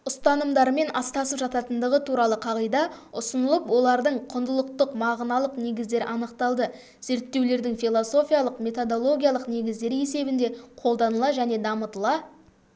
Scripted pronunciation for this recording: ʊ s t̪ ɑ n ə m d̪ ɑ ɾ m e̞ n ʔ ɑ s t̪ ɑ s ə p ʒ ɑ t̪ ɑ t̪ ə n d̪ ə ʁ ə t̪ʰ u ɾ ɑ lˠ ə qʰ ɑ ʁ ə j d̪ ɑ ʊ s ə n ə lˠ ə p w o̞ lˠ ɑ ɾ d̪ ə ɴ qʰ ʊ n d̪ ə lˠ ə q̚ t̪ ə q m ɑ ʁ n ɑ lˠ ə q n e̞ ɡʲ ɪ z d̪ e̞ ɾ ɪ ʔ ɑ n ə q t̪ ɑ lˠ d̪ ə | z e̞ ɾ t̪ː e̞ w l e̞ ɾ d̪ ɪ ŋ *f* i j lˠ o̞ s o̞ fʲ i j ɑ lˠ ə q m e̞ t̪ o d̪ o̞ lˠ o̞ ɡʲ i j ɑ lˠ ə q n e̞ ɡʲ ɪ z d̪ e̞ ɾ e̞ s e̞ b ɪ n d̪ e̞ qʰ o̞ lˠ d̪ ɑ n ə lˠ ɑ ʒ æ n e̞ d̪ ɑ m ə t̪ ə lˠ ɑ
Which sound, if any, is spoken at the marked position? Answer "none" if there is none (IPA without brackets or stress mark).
f